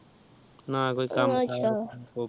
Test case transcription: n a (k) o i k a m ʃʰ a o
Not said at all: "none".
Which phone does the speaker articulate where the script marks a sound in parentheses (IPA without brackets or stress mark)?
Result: k